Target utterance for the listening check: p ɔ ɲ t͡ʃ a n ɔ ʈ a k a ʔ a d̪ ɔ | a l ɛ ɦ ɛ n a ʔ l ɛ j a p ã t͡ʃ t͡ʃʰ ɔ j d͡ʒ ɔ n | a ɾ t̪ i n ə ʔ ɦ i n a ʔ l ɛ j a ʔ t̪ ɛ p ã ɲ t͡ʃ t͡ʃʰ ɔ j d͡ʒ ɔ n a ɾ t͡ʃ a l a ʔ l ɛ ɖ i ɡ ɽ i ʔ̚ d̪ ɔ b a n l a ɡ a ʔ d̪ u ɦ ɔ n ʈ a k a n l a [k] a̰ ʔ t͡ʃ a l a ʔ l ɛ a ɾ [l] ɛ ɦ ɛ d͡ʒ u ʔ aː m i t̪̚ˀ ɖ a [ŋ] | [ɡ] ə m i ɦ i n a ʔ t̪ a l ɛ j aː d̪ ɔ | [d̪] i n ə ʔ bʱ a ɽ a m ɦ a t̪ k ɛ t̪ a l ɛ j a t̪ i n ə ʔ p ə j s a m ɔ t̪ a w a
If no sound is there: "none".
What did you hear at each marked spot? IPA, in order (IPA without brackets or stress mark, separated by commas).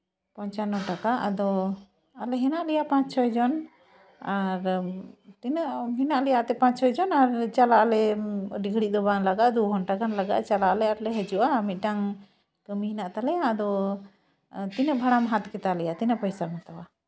ɡ, l, ŋ, k, t̪